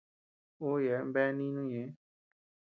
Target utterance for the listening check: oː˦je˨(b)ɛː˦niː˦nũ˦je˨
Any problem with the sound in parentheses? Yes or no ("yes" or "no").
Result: no